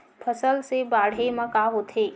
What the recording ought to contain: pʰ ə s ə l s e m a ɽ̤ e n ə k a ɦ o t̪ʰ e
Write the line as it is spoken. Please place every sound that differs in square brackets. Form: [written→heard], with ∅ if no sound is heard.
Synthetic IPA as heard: pʰ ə s ə l s e [m→b] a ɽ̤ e [n→m] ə k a ɦ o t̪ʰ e